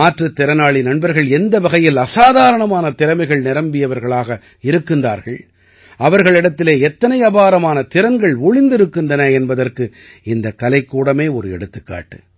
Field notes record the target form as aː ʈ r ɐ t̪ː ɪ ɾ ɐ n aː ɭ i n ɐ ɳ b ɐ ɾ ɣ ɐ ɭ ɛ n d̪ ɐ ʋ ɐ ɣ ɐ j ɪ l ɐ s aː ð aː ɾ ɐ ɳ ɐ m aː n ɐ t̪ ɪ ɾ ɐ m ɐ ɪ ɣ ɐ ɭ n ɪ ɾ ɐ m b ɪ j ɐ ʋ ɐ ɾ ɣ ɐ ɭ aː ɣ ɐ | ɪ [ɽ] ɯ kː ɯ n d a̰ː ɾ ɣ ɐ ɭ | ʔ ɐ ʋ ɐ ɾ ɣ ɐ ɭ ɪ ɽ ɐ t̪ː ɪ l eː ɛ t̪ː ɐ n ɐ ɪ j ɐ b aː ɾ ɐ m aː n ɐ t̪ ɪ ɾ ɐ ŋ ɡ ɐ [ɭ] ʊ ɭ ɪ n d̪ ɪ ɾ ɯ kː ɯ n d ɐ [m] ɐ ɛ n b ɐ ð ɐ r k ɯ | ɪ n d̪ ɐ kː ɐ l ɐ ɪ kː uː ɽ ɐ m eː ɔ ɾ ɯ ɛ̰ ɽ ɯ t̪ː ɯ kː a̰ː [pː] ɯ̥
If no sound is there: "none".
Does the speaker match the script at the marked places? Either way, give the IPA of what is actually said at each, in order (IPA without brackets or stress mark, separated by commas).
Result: ɾ, ɭ, n, ʈː